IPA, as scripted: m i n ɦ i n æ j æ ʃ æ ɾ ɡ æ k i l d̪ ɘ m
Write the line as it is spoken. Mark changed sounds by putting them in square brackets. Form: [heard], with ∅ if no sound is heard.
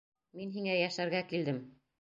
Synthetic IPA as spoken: m i n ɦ i [ŋ] æ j æ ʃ æ ɾ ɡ æ k i l d̪ ɘ m